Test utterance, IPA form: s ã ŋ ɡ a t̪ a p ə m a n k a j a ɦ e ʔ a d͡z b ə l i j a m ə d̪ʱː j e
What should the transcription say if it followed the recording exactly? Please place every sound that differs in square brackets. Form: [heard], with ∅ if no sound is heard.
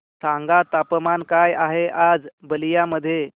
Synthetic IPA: s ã ŋ ɡ a t̪ a p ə m a n k a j a ɦ e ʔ a d͡z b ə l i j a m ə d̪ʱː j e